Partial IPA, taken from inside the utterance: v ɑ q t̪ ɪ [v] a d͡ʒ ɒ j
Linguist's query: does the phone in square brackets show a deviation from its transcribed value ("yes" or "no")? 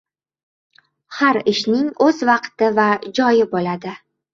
no